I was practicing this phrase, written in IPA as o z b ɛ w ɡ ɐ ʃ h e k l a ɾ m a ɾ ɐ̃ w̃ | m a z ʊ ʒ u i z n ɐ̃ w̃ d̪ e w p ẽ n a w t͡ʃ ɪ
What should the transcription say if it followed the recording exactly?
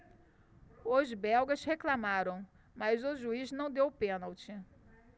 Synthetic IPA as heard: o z b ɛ w ɡ ɐ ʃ h e k l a m a ɾ ɐ̃ w̃ | m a z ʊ ʒ u i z n ɐ̃ w̃ d̪ e w p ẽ n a w t͡ʃ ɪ